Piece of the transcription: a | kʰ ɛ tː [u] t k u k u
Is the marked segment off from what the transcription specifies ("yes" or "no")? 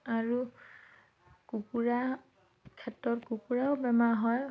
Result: yes